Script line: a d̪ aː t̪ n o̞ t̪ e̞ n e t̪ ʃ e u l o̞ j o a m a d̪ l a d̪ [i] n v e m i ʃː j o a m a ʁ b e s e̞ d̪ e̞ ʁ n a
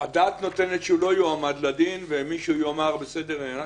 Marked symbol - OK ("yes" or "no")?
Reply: yes